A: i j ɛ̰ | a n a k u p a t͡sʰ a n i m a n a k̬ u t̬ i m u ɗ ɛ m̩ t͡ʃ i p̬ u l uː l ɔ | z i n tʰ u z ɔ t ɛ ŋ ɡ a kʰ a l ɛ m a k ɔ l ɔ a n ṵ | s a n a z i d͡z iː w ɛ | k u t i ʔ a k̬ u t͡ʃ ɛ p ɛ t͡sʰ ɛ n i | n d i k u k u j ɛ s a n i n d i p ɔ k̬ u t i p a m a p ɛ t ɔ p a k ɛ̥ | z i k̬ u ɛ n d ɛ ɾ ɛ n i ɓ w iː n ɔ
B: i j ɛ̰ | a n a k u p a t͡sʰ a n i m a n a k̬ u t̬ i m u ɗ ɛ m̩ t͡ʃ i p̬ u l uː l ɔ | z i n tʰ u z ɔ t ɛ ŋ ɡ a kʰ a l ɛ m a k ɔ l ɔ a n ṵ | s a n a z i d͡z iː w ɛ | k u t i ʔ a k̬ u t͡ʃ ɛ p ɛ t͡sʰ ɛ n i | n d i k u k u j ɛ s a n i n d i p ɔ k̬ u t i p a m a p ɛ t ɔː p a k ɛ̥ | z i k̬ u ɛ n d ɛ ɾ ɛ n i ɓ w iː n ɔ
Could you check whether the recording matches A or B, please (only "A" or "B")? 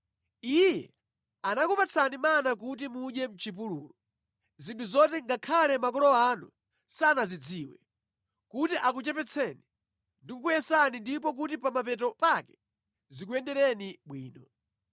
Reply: A